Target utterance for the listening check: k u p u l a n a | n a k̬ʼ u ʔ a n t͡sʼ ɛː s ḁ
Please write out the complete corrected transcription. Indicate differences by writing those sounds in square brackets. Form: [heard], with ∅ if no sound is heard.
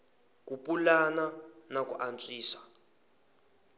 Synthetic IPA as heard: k u p u l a n a | n a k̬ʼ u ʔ a n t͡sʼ [iː] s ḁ

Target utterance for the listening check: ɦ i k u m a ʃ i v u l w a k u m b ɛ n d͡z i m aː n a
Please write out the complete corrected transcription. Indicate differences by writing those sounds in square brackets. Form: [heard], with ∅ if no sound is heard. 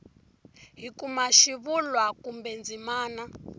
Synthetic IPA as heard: ɦ i k u m a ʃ i [β] u l w a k u m b ɛ n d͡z i m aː n a

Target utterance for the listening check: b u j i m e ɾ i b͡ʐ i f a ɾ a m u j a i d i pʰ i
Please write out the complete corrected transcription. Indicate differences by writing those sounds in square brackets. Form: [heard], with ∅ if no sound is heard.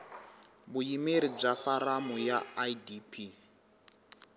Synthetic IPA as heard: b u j i m e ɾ i b͡ʐ [a] f a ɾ a m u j a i d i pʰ i

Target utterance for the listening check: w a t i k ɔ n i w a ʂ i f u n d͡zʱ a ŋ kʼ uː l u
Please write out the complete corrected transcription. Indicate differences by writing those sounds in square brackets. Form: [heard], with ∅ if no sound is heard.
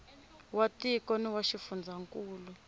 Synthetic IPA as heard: w a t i k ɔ n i w a [ʃ] i f u n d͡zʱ a ŋ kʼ uː l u

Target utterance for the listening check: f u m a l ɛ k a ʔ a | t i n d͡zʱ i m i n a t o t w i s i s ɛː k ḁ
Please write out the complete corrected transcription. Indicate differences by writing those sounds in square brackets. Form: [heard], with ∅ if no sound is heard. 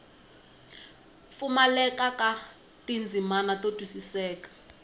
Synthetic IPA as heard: f u m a l ɛ k a [k] a | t i n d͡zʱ i m [a] n a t o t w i s i s ɛː k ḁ

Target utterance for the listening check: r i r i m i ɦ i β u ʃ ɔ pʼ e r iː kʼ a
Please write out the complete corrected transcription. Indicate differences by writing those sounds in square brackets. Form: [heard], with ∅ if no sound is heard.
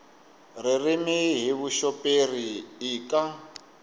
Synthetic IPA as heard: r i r i m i ɦ i β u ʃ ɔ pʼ e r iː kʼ a

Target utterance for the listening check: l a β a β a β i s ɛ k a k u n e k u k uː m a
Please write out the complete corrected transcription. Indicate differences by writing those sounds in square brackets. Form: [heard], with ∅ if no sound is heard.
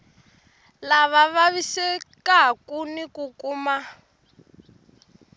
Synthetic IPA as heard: l a β a β a β i s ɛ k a k u n [i] k u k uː m a

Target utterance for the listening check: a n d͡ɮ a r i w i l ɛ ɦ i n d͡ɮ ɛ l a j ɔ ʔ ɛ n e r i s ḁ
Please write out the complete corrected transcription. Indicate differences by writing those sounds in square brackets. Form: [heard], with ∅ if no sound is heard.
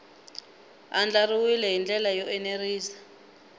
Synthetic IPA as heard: a n d͡ɮ a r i w i l ɛ ɦ i n d͡ɮ ɛ l a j ɔ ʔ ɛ n e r [iː] s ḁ

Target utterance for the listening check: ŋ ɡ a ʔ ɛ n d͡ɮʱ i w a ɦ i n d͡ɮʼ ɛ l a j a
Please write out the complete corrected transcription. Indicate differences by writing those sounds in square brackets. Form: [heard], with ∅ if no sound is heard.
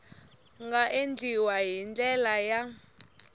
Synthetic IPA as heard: ŋ ɡ a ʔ [e] n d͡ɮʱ i w a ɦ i n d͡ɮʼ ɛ l a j a

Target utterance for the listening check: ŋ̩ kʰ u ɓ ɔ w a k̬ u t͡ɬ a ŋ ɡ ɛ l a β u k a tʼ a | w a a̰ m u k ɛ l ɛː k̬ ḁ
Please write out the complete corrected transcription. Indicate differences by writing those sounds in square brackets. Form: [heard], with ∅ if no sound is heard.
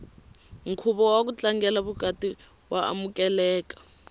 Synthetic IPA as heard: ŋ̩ kʰ u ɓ ɔ w a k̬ u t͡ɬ a ŋ ɡ ɛ l a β u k a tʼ [i] | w a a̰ m u k ɛ l ɛː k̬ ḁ

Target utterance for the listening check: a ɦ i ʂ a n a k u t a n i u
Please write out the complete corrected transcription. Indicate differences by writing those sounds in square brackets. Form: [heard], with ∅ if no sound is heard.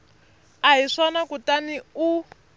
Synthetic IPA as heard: a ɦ i ʂ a n a k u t a n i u

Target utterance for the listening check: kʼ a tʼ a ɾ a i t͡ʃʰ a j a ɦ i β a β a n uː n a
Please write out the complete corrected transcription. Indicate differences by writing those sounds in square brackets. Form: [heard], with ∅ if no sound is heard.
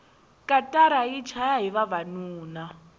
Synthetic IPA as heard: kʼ a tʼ a ɾ a i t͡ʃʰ a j a ɦ i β a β a n uː n a

